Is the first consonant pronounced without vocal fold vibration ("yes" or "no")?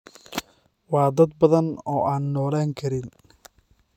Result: no